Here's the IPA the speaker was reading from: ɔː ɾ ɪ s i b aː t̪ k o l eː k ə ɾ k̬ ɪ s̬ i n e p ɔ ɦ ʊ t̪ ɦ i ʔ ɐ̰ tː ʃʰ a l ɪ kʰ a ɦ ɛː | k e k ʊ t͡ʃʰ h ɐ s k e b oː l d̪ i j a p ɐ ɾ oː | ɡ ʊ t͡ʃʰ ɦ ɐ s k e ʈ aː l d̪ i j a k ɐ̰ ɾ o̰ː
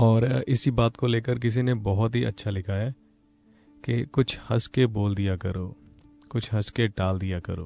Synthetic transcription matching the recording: ɔː ɾ ɪ s i b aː t̪ k o l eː k ə ɾ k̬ ɪ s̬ i n e b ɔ ɦ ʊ t̪ ɦ i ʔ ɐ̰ tː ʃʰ a l ɪ kʰ a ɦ ɛː | k e k ʊ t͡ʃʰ h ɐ s k e b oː l d̪ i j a k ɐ ɾ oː | k ʊ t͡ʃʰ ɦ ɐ s k e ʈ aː l d̪ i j a k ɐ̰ ɾ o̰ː